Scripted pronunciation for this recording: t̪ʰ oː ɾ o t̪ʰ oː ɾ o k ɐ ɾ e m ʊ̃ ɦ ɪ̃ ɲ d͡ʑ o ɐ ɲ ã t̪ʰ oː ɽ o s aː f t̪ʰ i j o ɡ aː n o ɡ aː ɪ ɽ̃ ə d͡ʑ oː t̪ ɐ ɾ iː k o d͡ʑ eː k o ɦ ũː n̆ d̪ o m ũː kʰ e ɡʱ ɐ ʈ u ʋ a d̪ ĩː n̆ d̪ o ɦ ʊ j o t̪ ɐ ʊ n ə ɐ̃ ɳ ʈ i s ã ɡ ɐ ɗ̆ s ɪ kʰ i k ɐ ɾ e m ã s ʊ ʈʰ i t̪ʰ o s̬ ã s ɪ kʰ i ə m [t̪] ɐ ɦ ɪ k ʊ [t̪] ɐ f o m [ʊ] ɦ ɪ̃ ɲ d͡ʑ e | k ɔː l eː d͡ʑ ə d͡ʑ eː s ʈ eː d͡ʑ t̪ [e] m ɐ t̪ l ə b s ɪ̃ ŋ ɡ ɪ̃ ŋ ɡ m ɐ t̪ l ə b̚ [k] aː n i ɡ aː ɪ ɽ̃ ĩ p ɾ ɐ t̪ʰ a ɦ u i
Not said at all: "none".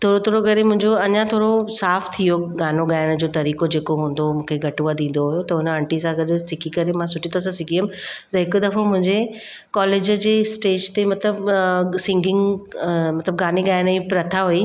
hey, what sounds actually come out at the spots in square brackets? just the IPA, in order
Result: t̪, d̪, ʊ̃, e, ɡ

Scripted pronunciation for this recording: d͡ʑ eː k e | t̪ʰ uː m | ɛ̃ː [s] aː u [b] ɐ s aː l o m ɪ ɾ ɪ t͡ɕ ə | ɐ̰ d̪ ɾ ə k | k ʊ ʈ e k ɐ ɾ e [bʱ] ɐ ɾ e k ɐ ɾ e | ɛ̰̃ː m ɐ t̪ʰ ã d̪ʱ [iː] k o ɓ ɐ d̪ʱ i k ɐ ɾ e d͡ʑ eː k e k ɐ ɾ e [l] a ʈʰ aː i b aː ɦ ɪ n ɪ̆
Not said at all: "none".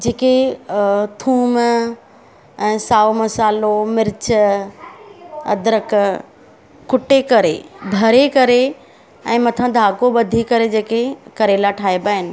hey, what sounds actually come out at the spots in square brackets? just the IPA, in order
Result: s, m, bʱ, aː, l

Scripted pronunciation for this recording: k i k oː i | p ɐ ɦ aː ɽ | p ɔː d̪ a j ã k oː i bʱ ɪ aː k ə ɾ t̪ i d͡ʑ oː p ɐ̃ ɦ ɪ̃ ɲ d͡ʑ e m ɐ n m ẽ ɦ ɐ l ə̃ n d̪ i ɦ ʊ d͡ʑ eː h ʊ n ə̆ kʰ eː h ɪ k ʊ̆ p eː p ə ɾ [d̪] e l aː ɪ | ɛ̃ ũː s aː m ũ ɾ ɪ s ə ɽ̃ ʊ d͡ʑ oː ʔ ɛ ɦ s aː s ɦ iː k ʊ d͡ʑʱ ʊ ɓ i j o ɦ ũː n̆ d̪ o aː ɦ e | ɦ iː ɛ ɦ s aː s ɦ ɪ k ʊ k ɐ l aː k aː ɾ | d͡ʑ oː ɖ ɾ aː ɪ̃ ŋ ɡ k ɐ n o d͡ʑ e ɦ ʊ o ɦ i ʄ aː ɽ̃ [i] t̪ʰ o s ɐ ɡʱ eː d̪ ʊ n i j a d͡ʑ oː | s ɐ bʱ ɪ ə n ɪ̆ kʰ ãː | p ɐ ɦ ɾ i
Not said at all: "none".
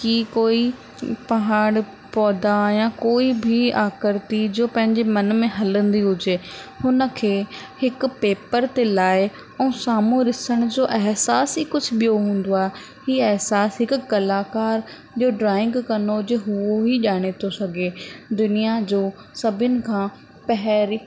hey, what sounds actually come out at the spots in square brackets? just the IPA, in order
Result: t̪, e

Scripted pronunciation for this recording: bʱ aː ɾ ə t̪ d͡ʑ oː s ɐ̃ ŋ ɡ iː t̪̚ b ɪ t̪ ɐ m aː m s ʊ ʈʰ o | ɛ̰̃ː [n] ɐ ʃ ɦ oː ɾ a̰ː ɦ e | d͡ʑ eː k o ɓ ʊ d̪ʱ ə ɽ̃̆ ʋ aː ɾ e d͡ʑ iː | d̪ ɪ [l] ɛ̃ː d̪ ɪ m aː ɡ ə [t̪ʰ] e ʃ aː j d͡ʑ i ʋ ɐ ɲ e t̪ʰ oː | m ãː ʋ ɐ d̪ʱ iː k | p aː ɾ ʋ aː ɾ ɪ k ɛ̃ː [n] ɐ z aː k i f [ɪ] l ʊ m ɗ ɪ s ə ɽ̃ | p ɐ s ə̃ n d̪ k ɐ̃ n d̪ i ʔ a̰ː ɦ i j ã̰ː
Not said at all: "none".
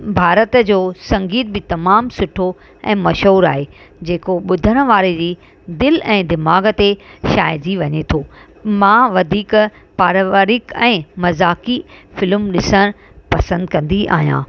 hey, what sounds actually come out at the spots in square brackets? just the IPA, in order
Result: m, l, t̪, m, ɪ

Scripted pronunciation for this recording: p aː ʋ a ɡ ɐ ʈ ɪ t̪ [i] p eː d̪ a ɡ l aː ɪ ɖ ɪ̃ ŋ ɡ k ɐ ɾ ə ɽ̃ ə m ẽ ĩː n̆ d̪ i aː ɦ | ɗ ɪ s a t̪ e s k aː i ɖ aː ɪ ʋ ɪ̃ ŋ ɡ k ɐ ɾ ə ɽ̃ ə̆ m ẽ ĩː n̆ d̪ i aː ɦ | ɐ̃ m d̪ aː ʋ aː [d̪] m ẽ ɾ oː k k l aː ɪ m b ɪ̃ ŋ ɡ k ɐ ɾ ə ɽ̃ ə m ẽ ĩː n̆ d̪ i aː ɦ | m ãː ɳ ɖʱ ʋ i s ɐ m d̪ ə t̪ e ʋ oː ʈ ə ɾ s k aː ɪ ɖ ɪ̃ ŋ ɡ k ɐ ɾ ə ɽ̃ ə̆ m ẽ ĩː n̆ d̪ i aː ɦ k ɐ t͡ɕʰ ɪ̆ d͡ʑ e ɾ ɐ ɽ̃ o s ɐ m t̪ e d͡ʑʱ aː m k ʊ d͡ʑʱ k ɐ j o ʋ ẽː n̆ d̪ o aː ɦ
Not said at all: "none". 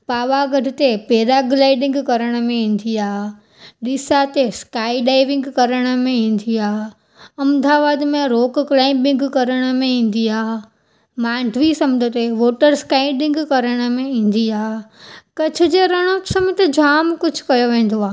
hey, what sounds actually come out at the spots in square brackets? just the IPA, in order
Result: e, d̪

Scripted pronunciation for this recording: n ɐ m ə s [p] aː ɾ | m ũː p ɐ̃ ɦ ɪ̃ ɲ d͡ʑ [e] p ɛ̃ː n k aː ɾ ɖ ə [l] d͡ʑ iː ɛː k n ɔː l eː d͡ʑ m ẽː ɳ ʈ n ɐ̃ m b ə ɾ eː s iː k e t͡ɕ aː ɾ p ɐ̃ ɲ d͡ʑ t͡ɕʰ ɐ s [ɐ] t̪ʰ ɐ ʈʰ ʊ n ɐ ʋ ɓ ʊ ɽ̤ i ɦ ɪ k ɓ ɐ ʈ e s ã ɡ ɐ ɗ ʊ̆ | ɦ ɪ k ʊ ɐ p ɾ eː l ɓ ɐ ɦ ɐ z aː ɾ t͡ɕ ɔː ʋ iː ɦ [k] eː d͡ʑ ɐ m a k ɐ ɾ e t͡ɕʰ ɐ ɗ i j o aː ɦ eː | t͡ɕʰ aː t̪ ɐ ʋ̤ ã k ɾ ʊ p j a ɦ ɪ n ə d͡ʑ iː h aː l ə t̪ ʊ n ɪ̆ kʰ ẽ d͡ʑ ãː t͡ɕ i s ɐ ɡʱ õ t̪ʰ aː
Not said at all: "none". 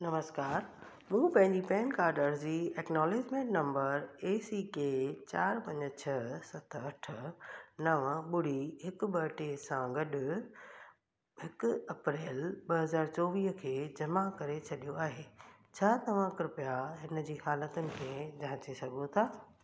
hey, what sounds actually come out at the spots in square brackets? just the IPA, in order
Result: k, i, ɾ, ɐ, kʰ

